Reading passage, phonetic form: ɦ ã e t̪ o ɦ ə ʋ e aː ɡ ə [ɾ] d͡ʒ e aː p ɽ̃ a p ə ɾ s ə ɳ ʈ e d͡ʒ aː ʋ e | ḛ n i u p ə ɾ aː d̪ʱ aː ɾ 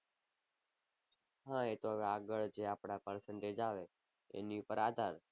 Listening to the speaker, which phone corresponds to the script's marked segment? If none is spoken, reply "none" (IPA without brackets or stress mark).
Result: ɭ